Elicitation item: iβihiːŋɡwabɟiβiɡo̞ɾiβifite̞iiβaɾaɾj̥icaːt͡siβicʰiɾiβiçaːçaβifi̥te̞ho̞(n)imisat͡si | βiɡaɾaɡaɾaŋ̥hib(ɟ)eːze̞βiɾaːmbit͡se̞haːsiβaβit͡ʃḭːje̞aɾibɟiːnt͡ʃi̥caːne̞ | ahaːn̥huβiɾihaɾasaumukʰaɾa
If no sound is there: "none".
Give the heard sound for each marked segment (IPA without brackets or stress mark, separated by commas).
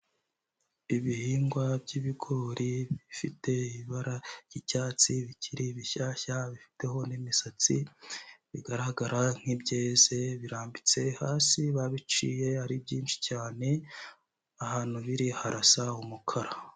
n, ɟ